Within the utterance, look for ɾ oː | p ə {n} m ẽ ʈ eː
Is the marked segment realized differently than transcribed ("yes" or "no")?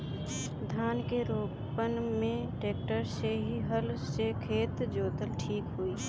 no